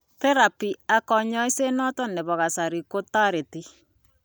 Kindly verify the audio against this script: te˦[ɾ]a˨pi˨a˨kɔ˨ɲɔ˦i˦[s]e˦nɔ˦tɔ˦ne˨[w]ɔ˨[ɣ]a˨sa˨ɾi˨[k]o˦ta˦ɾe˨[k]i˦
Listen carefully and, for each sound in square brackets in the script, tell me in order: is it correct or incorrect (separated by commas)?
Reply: correct, correct, incorrect, correct, correct, incorrect